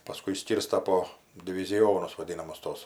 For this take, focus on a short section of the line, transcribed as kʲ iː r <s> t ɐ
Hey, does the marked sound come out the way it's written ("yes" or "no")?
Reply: yes